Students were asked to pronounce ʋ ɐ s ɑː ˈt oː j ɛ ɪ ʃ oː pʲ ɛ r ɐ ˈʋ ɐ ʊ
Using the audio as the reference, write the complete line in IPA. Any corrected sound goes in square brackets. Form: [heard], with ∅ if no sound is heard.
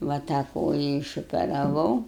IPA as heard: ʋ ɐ [t] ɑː [ˈk] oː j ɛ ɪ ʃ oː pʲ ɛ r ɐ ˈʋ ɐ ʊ